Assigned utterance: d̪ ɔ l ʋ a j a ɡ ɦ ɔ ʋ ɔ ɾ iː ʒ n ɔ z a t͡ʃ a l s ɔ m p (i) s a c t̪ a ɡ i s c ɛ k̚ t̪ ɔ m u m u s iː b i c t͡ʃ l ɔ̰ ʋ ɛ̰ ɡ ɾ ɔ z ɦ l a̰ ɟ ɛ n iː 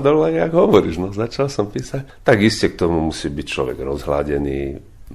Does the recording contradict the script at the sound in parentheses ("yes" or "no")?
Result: yes